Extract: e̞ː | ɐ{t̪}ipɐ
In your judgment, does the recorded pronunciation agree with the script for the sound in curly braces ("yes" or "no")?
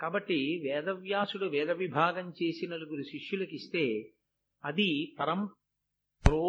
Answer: no